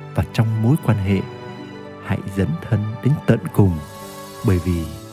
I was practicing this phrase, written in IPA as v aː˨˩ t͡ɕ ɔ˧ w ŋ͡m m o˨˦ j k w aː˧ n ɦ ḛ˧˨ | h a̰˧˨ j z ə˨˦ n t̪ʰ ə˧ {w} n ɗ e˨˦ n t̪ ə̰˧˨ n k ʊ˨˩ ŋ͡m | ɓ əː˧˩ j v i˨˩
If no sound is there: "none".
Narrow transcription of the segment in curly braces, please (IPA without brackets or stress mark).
none